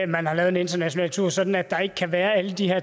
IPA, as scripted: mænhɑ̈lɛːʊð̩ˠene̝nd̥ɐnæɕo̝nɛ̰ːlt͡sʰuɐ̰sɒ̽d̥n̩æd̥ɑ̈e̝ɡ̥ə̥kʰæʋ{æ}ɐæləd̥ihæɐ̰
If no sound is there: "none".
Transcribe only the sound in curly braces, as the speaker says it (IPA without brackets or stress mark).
æː